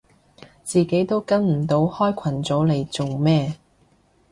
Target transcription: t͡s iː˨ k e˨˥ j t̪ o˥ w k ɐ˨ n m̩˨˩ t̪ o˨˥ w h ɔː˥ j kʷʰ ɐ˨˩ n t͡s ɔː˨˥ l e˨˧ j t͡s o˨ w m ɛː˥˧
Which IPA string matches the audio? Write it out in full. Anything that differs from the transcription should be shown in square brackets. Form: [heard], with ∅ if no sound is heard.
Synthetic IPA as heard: t͡s iː˨ k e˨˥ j t̪ o˥ w k [ɐ˥] n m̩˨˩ t̪ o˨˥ w h ɔː˥ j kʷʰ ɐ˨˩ n t͡s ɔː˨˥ l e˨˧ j t͡s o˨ w m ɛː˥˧